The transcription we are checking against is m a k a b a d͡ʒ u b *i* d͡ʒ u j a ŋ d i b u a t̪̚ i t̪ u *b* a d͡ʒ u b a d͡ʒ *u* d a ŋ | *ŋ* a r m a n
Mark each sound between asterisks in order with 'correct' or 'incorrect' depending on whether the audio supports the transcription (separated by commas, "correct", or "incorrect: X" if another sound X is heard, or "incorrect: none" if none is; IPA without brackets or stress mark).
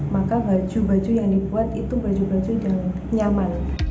incorrect: a, correct, correct, incorrect: ɲ